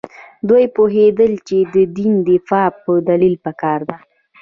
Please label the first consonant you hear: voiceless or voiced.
voiced